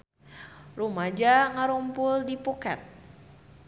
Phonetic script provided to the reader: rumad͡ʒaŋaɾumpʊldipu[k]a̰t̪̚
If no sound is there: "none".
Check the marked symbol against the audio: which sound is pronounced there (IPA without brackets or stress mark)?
k